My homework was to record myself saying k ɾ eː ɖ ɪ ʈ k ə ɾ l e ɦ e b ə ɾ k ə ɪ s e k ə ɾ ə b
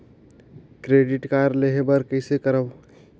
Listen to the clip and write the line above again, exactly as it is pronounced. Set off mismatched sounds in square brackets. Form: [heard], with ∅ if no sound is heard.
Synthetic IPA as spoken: k ɾ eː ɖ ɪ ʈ k [a] ɾ l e ɦ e b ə ɾ k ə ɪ s e k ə ɾ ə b